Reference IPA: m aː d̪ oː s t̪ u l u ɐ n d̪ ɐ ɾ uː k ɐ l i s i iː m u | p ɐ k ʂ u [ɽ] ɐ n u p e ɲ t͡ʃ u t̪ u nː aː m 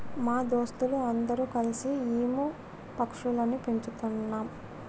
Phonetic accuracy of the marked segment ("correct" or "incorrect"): incorrect